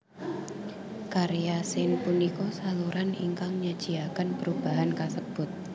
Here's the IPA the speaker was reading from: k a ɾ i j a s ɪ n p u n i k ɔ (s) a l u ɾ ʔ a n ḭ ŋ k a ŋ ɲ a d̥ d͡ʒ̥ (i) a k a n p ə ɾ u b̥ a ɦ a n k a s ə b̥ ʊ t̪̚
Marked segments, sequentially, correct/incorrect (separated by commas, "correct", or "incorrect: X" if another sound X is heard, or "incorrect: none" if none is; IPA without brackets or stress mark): correct, correct